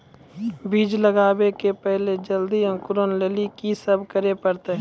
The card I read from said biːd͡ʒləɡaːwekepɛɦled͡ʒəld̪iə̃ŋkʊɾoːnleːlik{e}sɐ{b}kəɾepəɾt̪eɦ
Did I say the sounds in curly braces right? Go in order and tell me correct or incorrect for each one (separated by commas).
incorrect, correct